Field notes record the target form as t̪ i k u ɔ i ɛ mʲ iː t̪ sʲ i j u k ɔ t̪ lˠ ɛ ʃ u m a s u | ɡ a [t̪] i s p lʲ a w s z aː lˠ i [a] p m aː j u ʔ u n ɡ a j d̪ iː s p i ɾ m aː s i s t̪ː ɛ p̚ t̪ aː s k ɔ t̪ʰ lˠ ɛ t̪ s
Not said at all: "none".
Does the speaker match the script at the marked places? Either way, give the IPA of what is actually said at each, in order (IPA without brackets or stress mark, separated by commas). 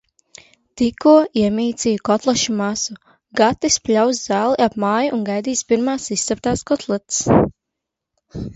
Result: t̪, a